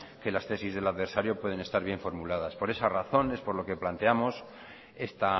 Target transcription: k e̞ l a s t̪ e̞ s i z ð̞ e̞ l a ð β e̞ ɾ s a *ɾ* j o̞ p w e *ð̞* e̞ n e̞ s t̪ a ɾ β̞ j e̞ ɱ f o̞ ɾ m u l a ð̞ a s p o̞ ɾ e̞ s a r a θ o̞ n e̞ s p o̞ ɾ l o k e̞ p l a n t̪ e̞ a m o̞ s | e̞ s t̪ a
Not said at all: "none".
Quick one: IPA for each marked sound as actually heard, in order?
ɾ, ð̞

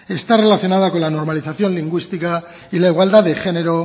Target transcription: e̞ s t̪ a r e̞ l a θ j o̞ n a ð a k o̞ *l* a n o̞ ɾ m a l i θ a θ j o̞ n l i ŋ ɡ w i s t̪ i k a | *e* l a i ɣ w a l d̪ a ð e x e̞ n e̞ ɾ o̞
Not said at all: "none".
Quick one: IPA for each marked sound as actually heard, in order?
l, i

